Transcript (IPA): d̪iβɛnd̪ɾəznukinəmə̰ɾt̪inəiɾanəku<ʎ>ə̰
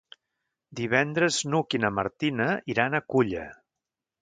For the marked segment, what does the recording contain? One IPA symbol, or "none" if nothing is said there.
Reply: ʎ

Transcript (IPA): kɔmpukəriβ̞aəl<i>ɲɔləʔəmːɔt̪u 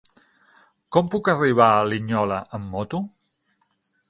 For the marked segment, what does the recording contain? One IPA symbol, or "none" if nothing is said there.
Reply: i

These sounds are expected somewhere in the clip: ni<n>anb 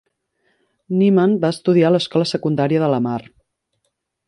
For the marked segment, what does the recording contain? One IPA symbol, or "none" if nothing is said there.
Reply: m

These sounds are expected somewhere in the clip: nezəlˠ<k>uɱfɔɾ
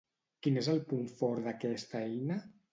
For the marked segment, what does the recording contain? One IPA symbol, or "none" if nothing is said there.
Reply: p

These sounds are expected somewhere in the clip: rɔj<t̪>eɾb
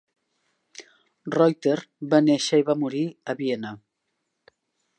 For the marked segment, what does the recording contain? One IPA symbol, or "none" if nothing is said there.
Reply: t̪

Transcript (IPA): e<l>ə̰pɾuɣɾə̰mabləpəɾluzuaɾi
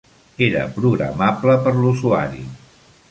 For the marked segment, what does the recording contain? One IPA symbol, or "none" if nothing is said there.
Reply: ɾ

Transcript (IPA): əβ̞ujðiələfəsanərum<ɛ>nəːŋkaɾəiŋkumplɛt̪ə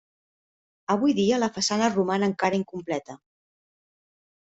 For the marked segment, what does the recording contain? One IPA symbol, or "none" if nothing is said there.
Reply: a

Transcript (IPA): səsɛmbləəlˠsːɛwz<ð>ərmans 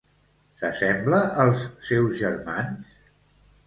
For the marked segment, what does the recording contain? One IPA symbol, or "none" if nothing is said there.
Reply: ʒ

